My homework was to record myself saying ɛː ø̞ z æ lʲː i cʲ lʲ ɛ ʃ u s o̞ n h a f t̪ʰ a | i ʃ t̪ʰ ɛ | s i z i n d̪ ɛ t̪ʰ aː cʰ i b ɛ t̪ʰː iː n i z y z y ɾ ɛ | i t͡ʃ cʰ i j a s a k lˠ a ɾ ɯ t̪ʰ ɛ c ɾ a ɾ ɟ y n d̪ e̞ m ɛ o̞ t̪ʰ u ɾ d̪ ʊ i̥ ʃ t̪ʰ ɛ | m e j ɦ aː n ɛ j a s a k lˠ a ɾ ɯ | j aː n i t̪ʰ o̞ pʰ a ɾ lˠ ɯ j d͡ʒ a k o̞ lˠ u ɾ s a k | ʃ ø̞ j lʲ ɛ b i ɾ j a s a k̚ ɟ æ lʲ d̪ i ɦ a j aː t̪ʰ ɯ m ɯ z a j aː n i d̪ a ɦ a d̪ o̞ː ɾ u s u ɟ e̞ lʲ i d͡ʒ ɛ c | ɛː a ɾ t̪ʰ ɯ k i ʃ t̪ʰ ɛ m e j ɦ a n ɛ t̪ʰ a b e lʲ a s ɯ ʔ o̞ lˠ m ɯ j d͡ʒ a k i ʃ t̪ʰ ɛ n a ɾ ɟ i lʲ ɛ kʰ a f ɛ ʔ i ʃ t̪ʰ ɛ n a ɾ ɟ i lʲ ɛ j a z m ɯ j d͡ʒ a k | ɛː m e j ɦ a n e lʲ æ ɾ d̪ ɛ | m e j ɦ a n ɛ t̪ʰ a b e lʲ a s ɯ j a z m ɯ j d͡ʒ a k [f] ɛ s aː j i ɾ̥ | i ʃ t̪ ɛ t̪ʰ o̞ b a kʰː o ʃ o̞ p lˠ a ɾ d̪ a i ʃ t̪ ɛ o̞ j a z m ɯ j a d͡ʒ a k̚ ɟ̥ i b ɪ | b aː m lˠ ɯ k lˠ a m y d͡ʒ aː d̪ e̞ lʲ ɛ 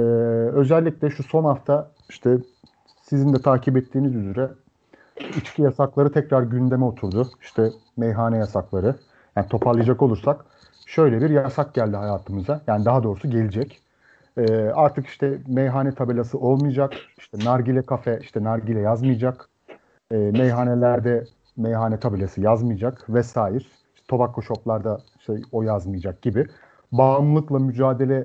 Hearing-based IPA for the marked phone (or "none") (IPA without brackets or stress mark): v